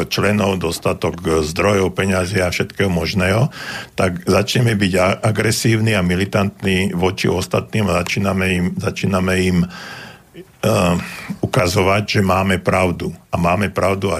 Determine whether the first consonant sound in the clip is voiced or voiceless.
voiceless